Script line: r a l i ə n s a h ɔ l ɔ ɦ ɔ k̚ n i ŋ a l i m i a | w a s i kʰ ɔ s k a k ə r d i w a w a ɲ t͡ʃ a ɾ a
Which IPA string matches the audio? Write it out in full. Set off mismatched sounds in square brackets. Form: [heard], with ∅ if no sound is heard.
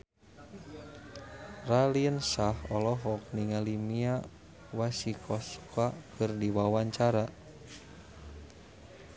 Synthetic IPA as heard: r a l i ə n s a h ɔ l ɔ ɦ ɔ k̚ n i ŋ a l i m i a | w a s i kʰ ɔ s k a k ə r d i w a w a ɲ t͡ʃ a ɾ a